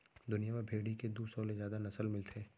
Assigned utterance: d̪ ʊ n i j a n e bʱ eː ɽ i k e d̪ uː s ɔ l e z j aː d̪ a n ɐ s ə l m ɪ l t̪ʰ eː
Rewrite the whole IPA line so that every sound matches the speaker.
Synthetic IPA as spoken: d̪ ʊ n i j a m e bʱ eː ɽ i k e d̪ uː s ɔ l e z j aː d̪ a n ɐ s ə l m ɪ l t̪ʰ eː